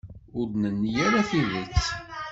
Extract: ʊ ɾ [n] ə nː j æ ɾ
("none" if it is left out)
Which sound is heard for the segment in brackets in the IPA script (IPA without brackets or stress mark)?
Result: n